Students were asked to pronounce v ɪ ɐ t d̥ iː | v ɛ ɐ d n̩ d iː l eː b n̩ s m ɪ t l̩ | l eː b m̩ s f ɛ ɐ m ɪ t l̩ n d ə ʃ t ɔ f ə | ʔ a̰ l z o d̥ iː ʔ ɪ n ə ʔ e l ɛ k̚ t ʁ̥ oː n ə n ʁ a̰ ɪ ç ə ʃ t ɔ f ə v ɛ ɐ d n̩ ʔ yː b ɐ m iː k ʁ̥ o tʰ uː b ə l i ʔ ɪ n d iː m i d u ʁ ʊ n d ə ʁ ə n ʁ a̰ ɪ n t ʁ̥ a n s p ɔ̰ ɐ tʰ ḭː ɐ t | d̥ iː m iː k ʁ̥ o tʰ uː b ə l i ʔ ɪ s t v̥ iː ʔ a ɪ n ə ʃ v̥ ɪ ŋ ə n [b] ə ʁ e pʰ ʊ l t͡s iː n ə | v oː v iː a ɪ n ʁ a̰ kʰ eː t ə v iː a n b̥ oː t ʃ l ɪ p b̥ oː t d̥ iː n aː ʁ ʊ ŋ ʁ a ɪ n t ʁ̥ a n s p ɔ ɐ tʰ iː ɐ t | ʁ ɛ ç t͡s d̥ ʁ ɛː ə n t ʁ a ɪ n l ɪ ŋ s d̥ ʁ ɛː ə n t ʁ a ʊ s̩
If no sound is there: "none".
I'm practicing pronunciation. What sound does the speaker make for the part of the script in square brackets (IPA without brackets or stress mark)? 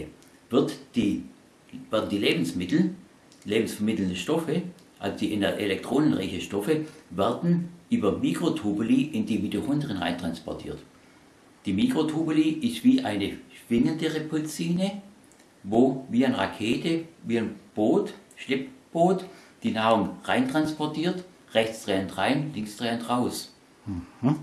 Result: d